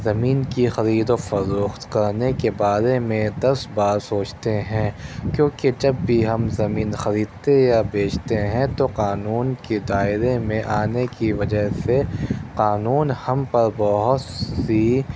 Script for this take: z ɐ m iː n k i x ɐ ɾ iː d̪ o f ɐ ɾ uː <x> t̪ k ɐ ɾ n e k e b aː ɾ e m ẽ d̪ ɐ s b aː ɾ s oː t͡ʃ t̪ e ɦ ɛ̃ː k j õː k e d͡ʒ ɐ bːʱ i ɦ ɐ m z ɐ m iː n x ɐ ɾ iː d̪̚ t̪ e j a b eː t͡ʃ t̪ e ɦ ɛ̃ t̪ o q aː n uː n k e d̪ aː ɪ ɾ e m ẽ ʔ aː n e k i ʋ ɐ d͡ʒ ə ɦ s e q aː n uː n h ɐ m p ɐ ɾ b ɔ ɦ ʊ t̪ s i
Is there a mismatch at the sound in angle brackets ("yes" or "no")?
no